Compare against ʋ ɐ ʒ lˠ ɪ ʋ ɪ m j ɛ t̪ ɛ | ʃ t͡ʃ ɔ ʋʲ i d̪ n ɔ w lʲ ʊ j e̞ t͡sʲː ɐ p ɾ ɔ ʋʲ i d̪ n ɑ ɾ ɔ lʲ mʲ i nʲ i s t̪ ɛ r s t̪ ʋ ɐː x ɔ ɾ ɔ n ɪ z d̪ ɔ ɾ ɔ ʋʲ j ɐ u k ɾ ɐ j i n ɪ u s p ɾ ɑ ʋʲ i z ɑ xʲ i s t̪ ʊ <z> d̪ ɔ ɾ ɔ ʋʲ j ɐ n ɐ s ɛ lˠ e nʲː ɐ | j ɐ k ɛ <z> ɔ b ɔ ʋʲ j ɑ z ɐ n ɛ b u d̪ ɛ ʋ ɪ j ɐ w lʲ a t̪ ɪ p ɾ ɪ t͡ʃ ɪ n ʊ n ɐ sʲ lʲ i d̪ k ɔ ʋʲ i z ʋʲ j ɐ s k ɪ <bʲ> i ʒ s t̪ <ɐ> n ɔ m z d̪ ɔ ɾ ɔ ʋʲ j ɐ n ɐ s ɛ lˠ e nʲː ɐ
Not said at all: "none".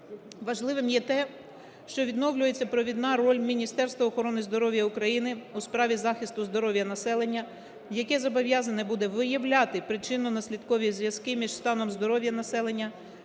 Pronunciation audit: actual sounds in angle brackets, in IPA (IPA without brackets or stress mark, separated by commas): z, z, mʲ, ɑ